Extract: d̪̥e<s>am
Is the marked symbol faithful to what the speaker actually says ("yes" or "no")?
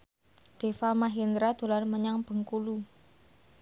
no